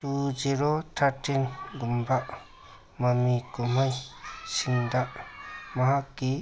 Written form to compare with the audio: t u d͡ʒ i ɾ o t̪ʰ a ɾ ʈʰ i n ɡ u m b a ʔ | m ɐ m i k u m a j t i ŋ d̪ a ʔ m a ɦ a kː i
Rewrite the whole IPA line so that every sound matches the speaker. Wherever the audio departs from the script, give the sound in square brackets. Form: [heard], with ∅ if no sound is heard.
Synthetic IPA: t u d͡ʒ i ɾ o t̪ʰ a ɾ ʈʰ i n ɡ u m b a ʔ | m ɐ m i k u m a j [s] i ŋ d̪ a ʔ m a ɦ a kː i